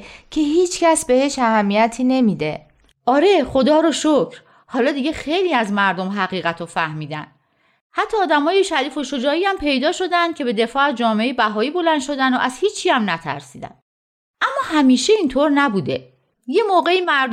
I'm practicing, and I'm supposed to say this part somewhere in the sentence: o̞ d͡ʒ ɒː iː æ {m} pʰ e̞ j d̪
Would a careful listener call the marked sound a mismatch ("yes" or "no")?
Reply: no